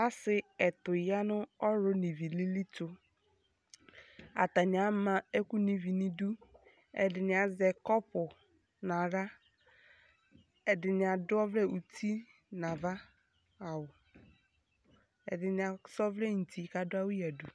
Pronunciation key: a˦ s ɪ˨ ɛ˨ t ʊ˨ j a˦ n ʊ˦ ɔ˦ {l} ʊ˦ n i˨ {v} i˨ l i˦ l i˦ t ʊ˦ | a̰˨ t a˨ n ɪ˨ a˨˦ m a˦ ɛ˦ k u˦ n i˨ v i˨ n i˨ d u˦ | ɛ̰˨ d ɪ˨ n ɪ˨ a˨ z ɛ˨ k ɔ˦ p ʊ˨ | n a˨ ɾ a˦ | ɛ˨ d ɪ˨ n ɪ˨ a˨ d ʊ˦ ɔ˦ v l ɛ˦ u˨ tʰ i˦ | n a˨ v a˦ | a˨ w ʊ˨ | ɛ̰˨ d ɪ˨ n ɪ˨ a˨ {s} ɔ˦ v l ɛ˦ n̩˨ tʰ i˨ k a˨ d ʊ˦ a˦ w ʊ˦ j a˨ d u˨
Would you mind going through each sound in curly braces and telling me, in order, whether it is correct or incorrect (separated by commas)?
incorrect, correct, correct